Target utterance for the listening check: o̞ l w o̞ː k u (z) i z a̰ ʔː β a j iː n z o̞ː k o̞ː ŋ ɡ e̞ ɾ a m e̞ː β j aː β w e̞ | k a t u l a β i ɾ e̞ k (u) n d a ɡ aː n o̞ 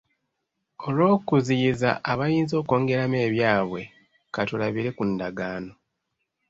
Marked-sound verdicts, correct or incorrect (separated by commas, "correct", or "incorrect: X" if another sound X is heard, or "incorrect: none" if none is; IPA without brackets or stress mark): correct, correct